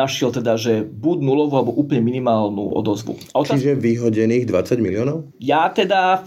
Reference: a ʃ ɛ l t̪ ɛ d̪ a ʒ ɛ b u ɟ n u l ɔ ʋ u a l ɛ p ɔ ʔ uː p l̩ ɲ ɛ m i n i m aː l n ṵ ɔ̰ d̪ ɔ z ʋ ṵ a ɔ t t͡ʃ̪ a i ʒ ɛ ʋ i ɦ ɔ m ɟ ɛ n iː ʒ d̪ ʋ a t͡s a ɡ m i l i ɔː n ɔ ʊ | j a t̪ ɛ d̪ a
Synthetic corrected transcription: a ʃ ɛ l t̪ ɛ d̪ a ʒ ɛ b u ɟ n u l ɔ ʋ u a l ɛ b ɔ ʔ uː p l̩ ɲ ɛ m i n i m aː l n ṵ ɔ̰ d̪ ɔ z ʋ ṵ a ɔ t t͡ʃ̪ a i ʒ ɛ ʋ i ɦ ɔ ɟ ɛ n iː ɣ d̪ ʋ a t͡s a ɟ m i l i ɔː n ɔ ʊ | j a t̪ ɛ d̪ a